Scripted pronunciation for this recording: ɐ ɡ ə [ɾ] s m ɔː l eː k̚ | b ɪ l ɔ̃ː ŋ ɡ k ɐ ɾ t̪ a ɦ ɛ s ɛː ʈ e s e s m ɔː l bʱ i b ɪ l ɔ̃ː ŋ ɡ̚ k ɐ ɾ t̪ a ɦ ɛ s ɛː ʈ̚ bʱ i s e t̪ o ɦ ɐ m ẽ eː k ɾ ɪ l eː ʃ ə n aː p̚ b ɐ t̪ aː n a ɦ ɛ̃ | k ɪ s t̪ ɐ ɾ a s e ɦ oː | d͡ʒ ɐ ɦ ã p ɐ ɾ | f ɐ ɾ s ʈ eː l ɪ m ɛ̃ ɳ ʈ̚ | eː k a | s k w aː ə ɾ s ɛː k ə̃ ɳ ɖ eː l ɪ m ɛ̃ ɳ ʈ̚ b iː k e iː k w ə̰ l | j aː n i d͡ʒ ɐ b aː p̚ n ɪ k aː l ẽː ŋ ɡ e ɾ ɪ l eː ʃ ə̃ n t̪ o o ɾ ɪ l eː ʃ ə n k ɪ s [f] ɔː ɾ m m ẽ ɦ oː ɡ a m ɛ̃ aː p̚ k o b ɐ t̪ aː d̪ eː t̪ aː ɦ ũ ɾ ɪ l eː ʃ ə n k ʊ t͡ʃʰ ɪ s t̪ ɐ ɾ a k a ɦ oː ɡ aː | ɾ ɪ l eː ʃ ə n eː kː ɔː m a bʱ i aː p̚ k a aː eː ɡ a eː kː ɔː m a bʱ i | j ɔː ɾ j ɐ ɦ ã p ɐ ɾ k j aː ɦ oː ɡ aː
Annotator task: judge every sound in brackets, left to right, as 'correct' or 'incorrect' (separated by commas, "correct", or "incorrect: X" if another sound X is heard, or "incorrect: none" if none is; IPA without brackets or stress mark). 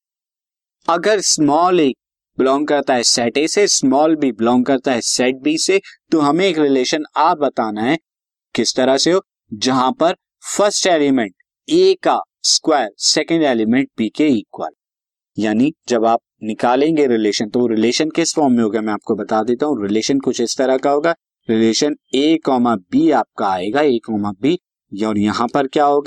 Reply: correct, correct